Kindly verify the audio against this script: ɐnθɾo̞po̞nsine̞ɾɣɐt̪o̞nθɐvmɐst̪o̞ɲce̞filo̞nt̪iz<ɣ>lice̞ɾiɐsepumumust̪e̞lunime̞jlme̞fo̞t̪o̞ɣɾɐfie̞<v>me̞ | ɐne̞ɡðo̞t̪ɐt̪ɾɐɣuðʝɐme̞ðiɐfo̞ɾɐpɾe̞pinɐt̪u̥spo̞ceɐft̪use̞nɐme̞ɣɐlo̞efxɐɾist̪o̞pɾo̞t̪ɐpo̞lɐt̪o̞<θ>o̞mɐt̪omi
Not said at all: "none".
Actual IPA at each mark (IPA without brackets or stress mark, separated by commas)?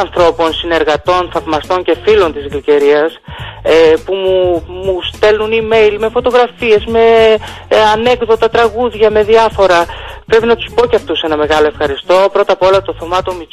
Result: ɣ, z, θ